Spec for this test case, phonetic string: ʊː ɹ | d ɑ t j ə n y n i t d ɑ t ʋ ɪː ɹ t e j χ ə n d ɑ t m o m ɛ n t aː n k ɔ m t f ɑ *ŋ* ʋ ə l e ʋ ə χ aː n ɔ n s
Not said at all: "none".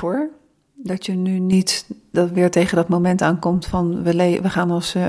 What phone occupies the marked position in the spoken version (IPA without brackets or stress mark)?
n